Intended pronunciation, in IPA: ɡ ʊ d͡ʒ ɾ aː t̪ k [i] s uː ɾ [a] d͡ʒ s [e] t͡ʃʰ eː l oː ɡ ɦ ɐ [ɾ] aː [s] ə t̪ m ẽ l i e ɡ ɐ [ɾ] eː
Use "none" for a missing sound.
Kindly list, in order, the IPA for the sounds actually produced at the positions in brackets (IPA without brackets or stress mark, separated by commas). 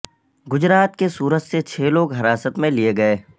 e, ə, e, ɾ, s, none